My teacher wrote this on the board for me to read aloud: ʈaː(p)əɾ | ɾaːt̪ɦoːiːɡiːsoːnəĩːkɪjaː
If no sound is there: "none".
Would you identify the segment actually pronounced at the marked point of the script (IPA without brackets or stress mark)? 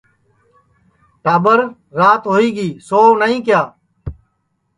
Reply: b